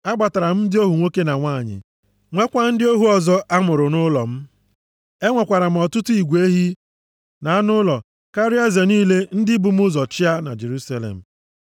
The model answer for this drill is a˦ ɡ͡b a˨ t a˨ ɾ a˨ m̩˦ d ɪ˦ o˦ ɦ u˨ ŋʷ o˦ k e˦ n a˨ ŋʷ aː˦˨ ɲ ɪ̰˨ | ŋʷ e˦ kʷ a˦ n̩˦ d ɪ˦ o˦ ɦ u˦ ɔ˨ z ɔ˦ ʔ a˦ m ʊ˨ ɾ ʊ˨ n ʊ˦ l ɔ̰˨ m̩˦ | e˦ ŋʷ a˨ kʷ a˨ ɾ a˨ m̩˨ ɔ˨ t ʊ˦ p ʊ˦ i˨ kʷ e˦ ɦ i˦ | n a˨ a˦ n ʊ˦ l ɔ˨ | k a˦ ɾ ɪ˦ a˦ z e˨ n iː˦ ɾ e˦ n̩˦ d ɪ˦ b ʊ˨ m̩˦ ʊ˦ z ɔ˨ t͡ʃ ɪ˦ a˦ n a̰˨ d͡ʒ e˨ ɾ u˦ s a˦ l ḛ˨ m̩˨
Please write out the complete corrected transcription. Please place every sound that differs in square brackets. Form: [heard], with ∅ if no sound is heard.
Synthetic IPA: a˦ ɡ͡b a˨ t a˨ ɾ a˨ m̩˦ d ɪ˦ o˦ ɦ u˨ ŋʷ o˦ k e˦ n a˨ ŋʷ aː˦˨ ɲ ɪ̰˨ | ŋʷ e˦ kʷ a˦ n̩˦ d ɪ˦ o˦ ɦ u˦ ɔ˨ z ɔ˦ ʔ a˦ m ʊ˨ ɾ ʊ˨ n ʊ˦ l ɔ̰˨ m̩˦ | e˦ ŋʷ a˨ kʷ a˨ ɾ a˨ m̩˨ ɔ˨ t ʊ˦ [t] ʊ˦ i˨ [ɡʷ] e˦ ɦ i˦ | n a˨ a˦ n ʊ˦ l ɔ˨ | k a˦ ɾ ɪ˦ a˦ z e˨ n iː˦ [l] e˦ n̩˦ d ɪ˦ b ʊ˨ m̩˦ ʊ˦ z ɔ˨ t͡ʃ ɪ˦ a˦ n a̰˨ d͡ʒ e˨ ɾ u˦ s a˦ l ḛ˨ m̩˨